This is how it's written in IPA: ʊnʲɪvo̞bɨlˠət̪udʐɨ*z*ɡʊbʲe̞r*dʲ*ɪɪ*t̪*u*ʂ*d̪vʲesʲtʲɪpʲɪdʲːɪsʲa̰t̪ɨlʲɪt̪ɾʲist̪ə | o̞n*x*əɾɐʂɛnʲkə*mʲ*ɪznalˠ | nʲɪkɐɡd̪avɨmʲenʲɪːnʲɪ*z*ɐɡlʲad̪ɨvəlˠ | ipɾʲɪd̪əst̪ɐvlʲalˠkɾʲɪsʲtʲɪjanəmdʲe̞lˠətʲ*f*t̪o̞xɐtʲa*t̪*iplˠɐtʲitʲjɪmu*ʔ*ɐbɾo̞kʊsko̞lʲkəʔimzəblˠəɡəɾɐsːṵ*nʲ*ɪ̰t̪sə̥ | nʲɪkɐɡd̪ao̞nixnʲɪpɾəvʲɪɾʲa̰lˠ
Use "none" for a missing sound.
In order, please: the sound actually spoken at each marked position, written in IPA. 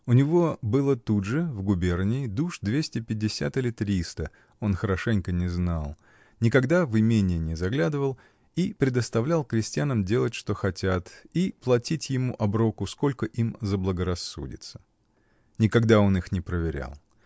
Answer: v, nʲ, d̪, ʂ, x, nʲ, z, ʂ, t̪, ʔ, dʲ

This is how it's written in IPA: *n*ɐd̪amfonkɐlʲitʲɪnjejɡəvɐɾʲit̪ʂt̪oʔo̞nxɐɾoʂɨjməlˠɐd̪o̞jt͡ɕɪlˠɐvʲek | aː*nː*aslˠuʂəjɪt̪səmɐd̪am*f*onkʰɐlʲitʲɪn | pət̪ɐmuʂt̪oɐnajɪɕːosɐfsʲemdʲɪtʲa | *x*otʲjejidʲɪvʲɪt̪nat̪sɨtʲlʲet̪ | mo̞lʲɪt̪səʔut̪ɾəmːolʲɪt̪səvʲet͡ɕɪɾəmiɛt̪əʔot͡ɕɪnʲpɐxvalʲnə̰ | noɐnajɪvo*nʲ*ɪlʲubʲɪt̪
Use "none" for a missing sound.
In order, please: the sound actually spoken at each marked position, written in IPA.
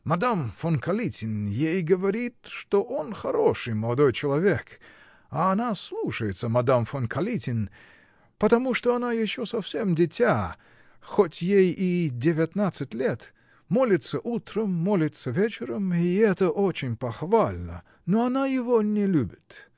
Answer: m, n, f, x, nʲ

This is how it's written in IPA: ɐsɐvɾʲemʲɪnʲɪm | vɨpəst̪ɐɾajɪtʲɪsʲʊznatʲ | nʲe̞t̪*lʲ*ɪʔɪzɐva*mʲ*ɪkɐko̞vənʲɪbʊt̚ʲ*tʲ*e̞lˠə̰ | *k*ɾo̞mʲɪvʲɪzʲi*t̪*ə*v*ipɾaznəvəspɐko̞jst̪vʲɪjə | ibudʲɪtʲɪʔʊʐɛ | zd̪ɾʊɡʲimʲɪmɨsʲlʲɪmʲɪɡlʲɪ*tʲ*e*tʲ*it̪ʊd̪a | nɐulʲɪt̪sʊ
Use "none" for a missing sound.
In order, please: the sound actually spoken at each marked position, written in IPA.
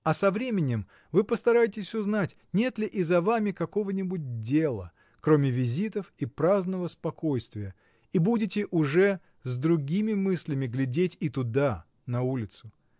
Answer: lʲ, mʲ, dʲ, k, t̪, f, dʲ, tʲ

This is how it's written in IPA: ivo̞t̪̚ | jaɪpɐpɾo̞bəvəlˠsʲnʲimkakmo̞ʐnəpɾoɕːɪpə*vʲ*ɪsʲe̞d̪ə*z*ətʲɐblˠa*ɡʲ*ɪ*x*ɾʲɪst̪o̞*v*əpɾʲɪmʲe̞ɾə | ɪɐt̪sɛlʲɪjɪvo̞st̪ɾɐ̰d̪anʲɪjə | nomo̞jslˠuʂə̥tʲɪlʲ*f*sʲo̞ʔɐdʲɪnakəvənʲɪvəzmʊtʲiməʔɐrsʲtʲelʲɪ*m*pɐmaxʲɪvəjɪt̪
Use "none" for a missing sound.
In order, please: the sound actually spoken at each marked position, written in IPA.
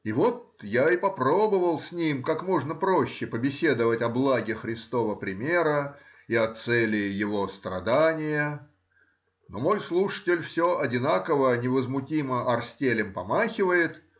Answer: bʲ, v, ɡʲ, x, v, f, m

